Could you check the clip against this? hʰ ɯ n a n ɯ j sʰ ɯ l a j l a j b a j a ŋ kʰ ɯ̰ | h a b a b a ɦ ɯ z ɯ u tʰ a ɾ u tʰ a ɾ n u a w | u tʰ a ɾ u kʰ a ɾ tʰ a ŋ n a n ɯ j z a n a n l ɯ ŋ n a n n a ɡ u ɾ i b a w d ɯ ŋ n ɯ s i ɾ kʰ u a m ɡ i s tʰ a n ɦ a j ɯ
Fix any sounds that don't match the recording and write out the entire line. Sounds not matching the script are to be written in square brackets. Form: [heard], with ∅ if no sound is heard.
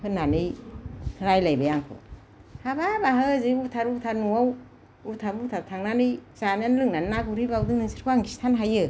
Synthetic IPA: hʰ ɯ n a n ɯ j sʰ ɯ [ɾ] a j l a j b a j a ŋ kʰ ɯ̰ | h a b a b a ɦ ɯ z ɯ u tʰ a ɾ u tʰ a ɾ n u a w | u tʰ a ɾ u [tʰ] a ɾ tʰ a ŋ n a n ɯ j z a n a n l ɯ ŋ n a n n a ɡ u ɾ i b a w d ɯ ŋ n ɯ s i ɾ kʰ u a [ŋ] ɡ i s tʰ a n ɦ a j ɯ